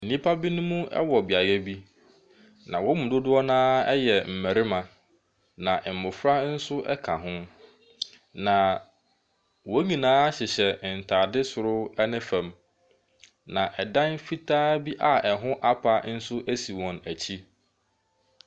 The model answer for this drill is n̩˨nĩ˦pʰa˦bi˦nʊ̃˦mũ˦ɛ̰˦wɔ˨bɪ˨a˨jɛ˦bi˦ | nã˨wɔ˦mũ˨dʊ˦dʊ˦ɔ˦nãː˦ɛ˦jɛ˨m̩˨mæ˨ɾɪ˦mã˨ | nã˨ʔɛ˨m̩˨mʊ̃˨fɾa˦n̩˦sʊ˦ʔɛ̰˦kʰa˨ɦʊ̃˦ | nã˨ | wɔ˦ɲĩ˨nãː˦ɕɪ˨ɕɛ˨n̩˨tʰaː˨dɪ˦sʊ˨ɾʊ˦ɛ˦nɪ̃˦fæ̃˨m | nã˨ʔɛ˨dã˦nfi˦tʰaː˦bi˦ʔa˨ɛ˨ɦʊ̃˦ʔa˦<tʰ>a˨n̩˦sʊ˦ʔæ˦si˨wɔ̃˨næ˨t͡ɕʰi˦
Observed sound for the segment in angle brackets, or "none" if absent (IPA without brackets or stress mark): pʰ